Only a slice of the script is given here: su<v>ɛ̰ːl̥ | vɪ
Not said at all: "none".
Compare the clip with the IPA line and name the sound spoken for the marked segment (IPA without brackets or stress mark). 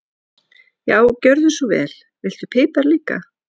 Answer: v